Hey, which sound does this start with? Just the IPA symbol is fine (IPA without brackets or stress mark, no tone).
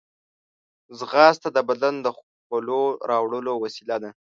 z